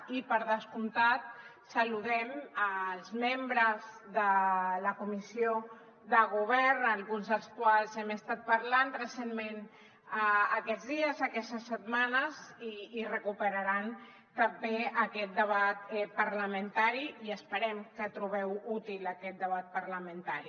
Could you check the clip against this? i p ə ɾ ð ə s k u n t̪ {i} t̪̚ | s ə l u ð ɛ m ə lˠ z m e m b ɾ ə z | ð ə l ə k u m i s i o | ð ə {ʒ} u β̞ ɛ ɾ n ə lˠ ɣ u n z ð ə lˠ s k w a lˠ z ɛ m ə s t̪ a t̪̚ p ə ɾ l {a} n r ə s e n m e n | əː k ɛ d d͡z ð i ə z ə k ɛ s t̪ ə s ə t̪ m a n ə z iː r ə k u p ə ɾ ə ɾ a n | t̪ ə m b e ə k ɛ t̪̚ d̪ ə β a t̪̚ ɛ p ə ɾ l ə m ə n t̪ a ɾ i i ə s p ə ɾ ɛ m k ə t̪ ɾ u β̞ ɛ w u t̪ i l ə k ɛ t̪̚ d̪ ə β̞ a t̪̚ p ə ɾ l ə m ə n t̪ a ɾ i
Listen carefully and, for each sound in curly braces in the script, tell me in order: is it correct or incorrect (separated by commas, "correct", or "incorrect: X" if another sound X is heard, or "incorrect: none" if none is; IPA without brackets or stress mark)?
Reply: incorrect: a, incorrect: ɣ, correct